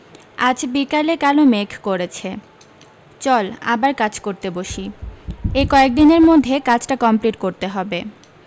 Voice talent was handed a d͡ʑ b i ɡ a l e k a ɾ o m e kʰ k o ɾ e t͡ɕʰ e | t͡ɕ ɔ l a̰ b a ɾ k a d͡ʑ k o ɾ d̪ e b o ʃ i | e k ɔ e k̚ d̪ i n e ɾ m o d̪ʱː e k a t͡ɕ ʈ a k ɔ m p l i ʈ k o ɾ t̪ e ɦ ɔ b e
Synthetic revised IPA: a d͡ʑ b i k a l e k a l o m e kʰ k o ɾ e t͡ɕʰ e | t͡ɕ ɔ l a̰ b a ɾ k a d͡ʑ k o ɾ t̪ e b o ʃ i | e k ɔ e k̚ d̪ i n e ɾ m o d̪ʱː e k a t͡ɕ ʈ a k ɔ m p l i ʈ k o ɾ t̪ e ɦ ɔ b e